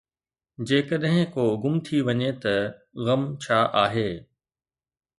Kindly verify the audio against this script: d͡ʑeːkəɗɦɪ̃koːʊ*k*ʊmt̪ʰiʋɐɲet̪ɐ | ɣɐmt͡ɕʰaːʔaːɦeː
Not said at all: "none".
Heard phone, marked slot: ɡ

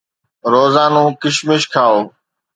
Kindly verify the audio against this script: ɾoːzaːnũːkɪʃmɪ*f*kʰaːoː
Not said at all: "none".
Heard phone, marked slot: ʃ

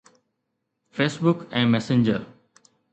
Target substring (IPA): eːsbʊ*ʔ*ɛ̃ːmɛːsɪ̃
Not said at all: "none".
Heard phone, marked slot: k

